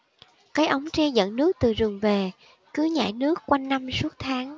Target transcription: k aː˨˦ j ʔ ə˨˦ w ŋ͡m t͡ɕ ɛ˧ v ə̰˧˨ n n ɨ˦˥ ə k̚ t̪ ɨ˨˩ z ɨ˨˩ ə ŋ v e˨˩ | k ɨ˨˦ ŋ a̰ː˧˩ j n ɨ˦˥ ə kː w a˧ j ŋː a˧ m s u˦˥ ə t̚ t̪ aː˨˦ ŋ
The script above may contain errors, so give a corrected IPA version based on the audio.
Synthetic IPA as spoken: k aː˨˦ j ʔ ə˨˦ w ŋ͡m t͡ɕ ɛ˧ z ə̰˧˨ n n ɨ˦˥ ə k̚ t̪ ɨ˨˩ z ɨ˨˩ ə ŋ v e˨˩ | k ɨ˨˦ ɲ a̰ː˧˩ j n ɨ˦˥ ə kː w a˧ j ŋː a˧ m s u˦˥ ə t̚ t̪ʰ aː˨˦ ŋ